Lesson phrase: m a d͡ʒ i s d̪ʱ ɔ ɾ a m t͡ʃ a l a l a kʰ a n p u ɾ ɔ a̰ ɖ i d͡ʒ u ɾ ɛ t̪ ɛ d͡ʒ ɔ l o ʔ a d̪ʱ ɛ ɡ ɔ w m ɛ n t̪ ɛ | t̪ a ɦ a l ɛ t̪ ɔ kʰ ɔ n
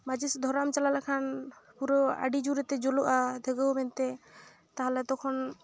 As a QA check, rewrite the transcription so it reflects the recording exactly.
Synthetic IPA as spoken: m a d͡ʒ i s d̪ʱ ɔ ɾ a m t͡ʃ a l a l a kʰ a n p u ɾ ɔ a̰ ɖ i d͡ʒ u ɾ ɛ t̪ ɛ d͡ʒ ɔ l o ʔ a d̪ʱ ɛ ɡ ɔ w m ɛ n t̪ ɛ | t̪ a ɦ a l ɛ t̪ ɔ kʰ ɔ n